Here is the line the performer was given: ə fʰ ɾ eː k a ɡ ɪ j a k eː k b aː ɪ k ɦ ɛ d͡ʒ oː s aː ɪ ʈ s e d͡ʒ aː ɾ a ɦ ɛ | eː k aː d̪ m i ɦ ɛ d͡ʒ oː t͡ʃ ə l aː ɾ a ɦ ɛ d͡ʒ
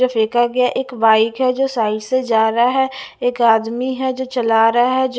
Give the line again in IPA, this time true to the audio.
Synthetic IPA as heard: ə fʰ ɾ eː k a ɡ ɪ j a ʔ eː k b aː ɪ k ɦ ɛ d͡ʒ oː s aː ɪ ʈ s e d͡ʒ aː ɾ a ɦ ɛ | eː k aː d̪ m i ɦ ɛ d͡ʒ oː t͡ʃ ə l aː ɾ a ɦ ɛ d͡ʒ